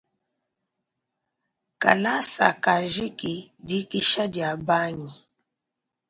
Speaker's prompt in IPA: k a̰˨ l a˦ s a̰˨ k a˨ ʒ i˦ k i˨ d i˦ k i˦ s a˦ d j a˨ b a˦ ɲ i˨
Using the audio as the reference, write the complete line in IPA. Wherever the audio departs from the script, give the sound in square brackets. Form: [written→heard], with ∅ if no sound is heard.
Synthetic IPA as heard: k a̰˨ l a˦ s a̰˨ k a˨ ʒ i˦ k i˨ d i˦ k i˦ [s→ʃ] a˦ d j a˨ b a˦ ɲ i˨